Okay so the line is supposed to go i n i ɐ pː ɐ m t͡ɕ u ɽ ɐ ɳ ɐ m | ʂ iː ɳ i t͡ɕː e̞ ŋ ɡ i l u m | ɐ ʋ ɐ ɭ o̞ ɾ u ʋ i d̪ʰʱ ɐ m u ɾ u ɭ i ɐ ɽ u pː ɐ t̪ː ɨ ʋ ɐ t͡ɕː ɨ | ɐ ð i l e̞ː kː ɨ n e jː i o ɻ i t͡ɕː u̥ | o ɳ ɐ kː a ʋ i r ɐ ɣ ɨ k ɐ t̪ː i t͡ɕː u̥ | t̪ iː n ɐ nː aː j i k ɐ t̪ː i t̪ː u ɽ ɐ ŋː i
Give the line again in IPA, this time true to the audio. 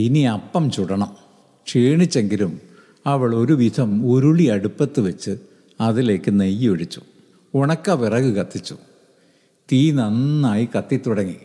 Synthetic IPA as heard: i n i ɐ pː ɐ m t͡ɕ u ɽ ɐ ɳ ɐ m | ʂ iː ɳ i t͡ɕː e̞ ŋ ɡ i l u m | ɐ ʋ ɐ ɭ o̞ ɾ u ʋ i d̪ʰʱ ɐ m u ɾ u ɭ i ɐ ɽ u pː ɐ t̪ː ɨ ʋ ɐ t͡ɕː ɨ | ɐ ð i l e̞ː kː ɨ n e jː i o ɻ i t͡ɕː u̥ | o ɳ ɐ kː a ʋ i r ɐ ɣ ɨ k ɐ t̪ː i t͡ɕː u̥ | t̪ iː n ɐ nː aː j i k ɐ t̪ː i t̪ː u ɽ ɐ ŋː i